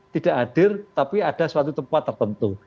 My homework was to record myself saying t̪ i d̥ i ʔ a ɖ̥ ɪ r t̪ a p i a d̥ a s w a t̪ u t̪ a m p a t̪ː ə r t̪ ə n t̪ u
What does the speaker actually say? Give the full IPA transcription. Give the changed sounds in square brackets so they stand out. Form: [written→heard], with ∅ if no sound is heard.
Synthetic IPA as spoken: t̪ i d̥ [i→a] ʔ a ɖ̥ ɪ r t̪ a p i a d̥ a s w a t̪ u t̪ [a→ə] m p a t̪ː ə r t̪ ə n t̪ u